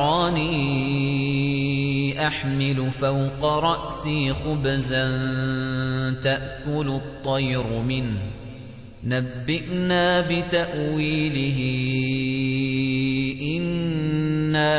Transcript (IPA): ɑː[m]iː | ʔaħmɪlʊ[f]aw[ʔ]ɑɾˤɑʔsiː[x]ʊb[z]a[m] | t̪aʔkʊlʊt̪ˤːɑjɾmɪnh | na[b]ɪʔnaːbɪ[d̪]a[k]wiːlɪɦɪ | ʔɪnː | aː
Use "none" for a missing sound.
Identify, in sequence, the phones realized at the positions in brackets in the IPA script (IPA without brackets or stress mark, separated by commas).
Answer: n, f, q, x, z, n, bː, t̪, ʔ